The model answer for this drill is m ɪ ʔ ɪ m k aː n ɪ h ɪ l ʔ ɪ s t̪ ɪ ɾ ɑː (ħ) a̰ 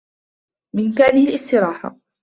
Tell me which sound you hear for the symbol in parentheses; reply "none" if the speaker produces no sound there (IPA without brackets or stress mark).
ħ